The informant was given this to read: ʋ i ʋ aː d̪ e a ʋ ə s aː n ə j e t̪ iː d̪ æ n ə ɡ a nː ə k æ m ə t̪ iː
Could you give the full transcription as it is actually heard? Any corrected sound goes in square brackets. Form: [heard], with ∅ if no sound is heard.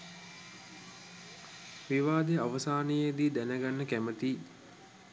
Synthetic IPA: ʋ i ʋ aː d̪ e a ʋ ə s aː n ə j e [d̪] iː d̪ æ n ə ɡ a nː ə k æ m ə t̪ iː